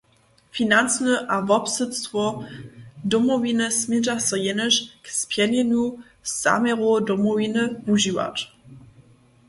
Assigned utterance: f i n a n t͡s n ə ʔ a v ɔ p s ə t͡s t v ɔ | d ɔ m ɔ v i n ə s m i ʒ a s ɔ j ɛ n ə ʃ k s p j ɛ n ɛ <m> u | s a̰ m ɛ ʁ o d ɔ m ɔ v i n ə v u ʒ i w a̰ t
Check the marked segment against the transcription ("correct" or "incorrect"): incorrect